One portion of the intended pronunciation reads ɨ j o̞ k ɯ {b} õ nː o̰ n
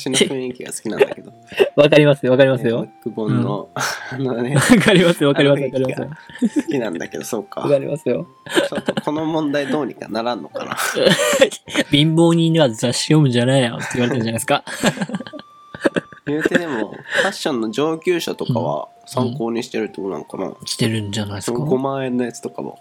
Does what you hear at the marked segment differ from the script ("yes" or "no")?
no